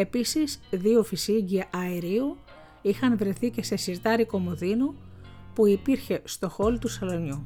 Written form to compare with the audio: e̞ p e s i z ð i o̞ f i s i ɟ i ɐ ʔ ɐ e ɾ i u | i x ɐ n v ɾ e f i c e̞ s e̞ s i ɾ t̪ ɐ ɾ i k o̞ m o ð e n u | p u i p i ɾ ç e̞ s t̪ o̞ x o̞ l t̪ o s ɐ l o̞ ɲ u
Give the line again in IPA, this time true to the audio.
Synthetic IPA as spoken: e̞ p i s i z ð i o̞ f i s i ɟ i ɐ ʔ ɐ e ɾ i u | i x ɐ n v ɾ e θ i c e̞ s e̞ s i ɾ t̪ ɐ ɾ i k o̞ m o ð i n u | p u i p i ɾ ç e̞ s t̪ o̞ x o̞ l t̪ u s ɐ l o̞ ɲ u